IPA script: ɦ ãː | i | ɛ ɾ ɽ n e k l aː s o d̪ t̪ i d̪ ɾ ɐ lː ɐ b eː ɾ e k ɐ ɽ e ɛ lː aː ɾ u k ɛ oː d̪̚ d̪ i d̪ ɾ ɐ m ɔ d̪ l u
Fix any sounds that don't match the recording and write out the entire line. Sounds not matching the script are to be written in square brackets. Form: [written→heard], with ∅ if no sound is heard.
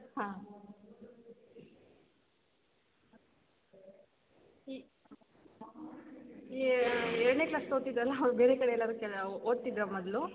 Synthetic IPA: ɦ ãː | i | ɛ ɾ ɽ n e k l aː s o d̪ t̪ i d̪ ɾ ɐ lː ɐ b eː ɾ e k ɐ ɽ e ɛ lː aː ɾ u k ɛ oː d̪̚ [d̪→t̪] i d̪ ɾ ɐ m ɔ d̪ l u

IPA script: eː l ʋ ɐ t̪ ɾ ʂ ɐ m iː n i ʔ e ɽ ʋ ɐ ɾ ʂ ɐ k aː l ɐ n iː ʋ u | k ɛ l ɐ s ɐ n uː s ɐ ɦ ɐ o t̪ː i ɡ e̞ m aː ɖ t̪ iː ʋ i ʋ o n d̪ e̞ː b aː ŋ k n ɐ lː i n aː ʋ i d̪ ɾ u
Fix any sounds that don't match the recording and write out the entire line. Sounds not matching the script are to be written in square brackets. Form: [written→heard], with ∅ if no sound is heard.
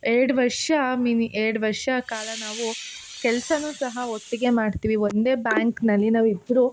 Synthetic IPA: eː [l→ɽ] ʋ ɐ [t̪→∅] ɾ ʂ ɐ m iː n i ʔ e ɽ ʋ ɐ ɾ ʂ ɐ k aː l ɐ n [iː→aː] ʋ u | k ɛ l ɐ s ɐ n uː s ɐ ɦ ɐ o t̪ː i ɡ e̞ m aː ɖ t̪ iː ʋ i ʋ o n d̪ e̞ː b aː ŋ k n ɐ lː i n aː ʋ i d̪ ɾ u

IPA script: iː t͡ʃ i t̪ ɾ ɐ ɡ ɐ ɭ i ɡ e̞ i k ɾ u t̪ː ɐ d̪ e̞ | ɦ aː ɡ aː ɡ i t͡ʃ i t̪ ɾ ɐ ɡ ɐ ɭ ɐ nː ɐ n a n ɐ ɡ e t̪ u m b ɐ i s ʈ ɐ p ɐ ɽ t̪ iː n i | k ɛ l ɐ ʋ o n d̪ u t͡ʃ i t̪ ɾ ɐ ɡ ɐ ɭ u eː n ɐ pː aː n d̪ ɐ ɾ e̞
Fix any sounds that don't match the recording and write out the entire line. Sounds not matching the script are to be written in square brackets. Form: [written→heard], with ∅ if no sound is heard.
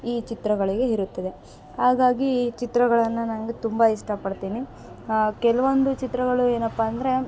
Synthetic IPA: iː t͡ʃ i t̪ ɾ ɐ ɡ ɐ ɭ i ɡ e̞ i [k→∅] ɾ u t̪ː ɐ d̪ e̞ | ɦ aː ɡ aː ɡ i t͡ʃ i t̪ ɾ ɐ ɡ ɐ ɭ ɐ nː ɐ n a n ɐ ɡ e t̪ u m b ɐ i [s→ʂ] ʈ ɐ p ɐ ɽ t̪ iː n i | k ɛ l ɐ ʋ o n d̪ u t͡ʃ i t̪ ɾ ɐ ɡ ɐ ɭ u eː n ɐ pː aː n d̪ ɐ ɾ e̞

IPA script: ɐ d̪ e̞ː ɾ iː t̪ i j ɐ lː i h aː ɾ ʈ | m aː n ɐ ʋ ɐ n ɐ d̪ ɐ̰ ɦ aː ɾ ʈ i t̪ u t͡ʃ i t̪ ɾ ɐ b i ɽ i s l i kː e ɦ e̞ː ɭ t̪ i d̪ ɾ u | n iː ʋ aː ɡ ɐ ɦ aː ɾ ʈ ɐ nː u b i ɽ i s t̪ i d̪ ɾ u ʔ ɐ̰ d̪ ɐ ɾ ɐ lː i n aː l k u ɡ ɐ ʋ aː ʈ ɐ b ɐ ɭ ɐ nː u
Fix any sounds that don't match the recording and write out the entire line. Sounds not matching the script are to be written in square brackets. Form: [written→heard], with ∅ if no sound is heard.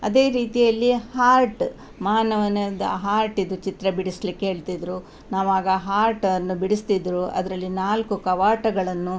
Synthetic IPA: ɐ d̪ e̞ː ɾ iː t̪ i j ɐ lː i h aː ɾ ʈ | m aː n ɐ ʋ ɐ n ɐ d̪ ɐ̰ ɦ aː ɾ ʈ i [t̪→d̪] u t͡ʃ i t̪ ɾ ɐ b i ɽ i s l i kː e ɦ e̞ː ɭ t̪ i d̪ ɾ u | n [iː→aː] ʋ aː ɡ ɐ ɦ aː ɾ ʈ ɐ nː u b i ɽ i s t̪ i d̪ ɾ u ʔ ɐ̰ d̪ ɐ ɾ ɐ lː i n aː l k u [ɡ→k] ɐ ʋ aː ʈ ɐ [b→ɡ] ɐ ɭ ɐ nː u

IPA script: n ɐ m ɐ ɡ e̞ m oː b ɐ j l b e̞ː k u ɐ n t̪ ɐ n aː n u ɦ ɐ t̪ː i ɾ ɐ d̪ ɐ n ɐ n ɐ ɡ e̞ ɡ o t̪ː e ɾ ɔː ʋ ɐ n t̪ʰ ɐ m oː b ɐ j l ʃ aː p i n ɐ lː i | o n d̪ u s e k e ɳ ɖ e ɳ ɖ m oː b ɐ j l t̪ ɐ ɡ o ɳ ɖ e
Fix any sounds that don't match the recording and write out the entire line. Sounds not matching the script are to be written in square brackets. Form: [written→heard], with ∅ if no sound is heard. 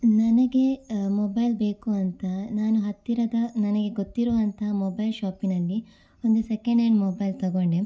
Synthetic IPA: n ɐ [m→n] ɐ ɡ e̞ m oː b ɐ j l b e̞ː k u ɐ n t̪ ɐ n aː n u ɦ ɐ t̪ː i ɾ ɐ d̪ ɐ n ɐ n ɐ ɡ e̞ ɡ o t̪ː [e→i] ɾ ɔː ʋ ɐ n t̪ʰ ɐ m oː b ɐ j l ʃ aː p i n ɐ lː i | o n d̪ u s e k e ɳ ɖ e ɳ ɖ m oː b ɐ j l t̪ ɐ ɡ o ɳ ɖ e

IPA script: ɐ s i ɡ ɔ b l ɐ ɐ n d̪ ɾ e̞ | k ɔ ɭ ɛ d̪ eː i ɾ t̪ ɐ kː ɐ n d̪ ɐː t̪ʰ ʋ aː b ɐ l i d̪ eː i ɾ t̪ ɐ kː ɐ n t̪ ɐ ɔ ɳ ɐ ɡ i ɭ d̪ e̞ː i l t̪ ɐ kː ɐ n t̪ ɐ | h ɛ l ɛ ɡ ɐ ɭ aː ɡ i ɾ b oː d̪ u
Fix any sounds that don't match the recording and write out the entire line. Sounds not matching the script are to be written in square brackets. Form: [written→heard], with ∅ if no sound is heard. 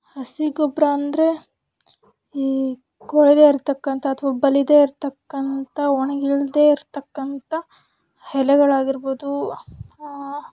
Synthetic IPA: ɐ s i ɡ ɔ b [l→ɾ] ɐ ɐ n d̪ ɾ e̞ | k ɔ ɭ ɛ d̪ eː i ɾ t̪ ɐ kː ɐ n [d̪→t̪] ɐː t̪ʰ ʋ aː b ɐ l i d̪ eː i ɾ t̪ ɐ kː ɐ n t̪ ɐ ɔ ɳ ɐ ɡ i ɭ d̪ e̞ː i [l→ɾ] t̪ ɐ kː ɐ n t̪ ɐ | h ɛ l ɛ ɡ ɐ ɭ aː ɡ i ɾ b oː d̪ u

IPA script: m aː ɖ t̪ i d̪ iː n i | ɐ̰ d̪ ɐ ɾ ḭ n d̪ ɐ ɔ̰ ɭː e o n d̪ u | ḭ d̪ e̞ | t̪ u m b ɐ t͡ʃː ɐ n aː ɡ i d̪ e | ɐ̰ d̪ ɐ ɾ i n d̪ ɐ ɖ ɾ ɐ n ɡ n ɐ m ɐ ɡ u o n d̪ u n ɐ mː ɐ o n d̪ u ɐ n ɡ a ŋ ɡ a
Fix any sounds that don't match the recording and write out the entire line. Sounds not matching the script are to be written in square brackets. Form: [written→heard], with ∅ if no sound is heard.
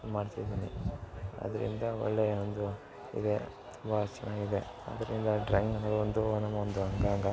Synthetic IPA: m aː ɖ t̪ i d̪ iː n i | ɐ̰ d̪ ɐ ɾ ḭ n d̪ ɐ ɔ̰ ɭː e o n d̪ u | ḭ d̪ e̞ | t̪ u m b ɐ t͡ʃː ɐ n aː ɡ i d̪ e | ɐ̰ d̪ ɐ ɾ i n d̪ ɐ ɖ ɾ ɐ [n→ŋ] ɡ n ɐ m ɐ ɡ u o n d̪ u n ɐ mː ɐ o n d̪ u ɐ [n→ŋ] ɡ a ŋ ɡ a

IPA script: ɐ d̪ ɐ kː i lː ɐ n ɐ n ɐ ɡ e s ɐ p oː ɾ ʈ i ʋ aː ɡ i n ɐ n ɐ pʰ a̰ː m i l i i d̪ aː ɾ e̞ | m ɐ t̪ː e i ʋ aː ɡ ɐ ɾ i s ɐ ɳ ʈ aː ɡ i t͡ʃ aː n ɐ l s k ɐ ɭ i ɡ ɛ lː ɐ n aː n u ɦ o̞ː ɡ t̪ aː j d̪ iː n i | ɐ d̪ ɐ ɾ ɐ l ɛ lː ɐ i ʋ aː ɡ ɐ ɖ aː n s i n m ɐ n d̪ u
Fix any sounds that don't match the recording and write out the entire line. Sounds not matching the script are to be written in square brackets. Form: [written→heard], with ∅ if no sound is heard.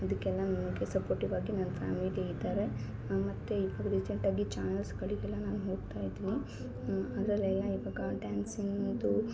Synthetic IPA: ɐ d̪ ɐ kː [i→ɛ] lː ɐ n ɐ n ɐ ɡ e s ɐ p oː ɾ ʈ i ʋ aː ɡ i n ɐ n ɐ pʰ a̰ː m i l i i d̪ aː ɾ e̞ | m ɐ t̪ː e i ʋ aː ɡ ɐ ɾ i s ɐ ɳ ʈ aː ɡ i t͡ʃ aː n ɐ l s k ɐ ɭ i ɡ ɛ lː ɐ n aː n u ɦ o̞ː ɡ t̪ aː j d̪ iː n i | ɐ d̪ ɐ ɾ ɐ l ɛ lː ɐ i ʋ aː ɡ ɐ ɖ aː n s i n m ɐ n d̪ u

